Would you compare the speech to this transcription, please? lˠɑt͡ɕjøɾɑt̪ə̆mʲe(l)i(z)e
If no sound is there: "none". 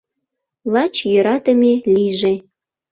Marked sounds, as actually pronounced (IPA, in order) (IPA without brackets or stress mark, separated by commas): l, ʒ